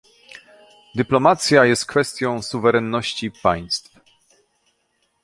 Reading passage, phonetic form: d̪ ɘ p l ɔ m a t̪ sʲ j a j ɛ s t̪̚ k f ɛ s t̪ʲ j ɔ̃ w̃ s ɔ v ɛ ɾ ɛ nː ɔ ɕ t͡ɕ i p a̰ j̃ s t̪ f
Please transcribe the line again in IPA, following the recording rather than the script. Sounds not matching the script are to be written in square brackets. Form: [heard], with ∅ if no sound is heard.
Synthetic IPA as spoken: d̪ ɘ p l ɔ m a t̪ sʲ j a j ɛ s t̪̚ k f ɛ s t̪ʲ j ɔ̃ w̃ s [u] v ɛ ɾ ɛ nː ɔ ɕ t͡ɕ i p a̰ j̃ s t̪ f

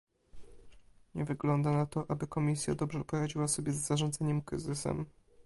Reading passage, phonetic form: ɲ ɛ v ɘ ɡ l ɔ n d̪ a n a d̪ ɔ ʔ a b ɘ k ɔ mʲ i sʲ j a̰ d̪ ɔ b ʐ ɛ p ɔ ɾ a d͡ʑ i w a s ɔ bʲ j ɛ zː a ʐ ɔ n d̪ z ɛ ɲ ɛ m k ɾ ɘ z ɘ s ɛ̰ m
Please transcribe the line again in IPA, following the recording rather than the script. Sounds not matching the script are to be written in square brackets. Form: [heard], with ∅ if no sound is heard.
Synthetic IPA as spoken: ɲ ɛ v ɘ ɡ l ɔ n d̪ a n a [t̪] ɔ ʔ a b ɘ k ɔ mʲ i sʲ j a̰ d̪ ɔ b ʐ ɛ p ɔ ɾ a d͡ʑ i w a s ɔ bʲ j ɛ zː a ʐ ɔ n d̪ z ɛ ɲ ɛ m k ɾ ɘ z ɘ s ɛ̰ m

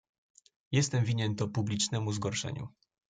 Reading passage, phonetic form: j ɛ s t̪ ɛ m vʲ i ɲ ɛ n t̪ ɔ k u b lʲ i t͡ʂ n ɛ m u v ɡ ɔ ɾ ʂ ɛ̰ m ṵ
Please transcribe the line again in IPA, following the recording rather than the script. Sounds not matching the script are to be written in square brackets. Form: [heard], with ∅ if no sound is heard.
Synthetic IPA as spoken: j ɛ s t̪ ɛ m vʲ i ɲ ɛ n t̪ ɔ [p] u b lʲ i t͡ʂ n ɛ m u [z] ɡ ɔ ɾ ʂ ɛ̰ [ɲ] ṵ

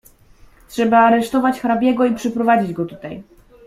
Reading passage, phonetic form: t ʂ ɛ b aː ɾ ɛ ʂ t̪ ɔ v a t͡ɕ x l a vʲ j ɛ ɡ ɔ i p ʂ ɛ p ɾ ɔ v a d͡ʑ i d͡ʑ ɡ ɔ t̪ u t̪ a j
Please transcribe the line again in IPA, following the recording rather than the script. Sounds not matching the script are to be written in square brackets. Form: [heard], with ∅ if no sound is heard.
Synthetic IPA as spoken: t ʂ ɛ b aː ɾ ɛ ʂ t̪ ɔ v a t͡ɕ x [ɾ] a [bʲ] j ɛ ɡ ɔ i p ʂ ɛ p ɾ ɔ v a d͡ʑ i d͡ʑ ɡ ɔ t̪ u t̪ a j

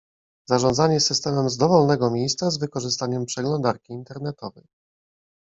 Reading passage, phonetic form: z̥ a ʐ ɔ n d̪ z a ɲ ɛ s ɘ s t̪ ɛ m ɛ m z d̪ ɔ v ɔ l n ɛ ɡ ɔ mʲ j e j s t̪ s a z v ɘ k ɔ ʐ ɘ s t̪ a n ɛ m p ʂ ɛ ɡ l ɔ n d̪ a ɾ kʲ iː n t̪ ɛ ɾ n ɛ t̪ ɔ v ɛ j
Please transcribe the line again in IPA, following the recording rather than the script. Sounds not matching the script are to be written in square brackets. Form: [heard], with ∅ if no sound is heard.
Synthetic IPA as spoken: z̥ a ʐ ɔ n d̪ z a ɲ ɛ s ɘ s t̪ ɛ m ɛ m z d̪ ɔ v ɔ l n ɛ ɡ ɔ mʲ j e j s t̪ s a z v ɘ k ɔ ʐ ɘ s t̪ a [ɲ] ɛ m p ʂ ɛ ɡ l ɔ n d̪ a ɾ kʲ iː n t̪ ɛ ɾ n ɛ t̪ ɔ v ɛ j

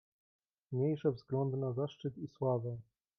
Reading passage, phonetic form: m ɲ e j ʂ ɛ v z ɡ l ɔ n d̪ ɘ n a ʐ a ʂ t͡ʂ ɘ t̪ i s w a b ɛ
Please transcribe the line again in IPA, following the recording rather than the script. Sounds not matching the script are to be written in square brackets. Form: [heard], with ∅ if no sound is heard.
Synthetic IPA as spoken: m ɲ e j ʂ ɛ v z ɡ l ɔ n d̪ ɘ n a [z] a ʂ t͡ʂ ɘ t̪ i s w a [v] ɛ

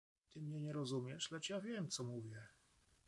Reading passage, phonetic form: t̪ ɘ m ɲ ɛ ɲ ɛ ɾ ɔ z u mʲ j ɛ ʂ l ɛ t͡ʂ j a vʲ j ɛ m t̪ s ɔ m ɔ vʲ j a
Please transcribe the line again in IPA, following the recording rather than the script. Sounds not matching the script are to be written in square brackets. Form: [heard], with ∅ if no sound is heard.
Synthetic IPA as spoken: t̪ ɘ m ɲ ɛ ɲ ɛ ɾ ɔ z u mʲ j ɛ ʂ l ɛ t͡ʂ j a vʲ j ɛ m t̪ s ɔ m [u] vʲ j [ɛ]

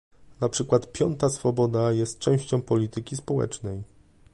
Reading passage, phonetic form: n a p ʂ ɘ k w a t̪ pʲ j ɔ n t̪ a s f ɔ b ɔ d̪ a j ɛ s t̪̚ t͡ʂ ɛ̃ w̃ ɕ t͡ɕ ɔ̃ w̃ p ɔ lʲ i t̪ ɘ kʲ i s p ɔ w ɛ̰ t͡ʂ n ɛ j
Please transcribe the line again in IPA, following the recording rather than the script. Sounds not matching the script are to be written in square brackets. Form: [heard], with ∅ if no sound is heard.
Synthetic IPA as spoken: n a p ʂ ɘ k w a t̪ pʲ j ɔ n t̪ a s f ɔ b ɔ d̪ a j ɛ s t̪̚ t͡ʂ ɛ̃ w̃ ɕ t͡ɕ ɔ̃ w̃ p ɔ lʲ i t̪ ɘ kʲ i s p ɔ w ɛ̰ t͡ʂ n ɛ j

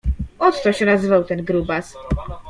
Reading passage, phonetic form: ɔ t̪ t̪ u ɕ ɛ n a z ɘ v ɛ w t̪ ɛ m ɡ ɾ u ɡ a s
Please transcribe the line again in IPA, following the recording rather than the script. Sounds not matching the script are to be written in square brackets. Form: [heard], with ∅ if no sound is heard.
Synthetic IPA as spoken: ɔ t̪ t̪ [ɔ] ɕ ɛ n a z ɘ v [a] w t̪ ɛ [n] ɡ ɾ u [b] a s

